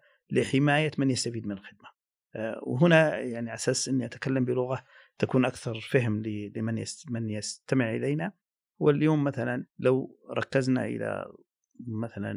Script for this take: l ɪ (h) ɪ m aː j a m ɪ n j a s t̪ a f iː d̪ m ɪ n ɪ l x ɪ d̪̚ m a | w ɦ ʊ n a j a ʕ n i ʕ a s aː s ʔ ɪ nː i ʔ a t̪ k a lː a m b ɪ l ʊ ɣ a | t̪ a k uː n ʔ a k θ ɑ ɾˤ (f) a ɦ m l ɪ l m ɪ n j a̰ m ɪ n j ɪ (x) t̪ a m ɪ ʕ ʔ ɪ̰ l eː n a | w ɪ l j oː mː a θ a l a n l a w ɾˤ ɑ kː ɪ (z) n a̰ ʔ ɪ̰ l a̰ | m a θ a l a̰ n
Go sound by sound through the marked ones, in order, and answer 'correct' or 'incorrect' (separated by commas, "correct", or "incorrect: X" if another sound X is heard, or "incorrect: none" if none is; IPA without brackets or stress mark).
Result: incorrect: ħ, correct, incorrect: s, correct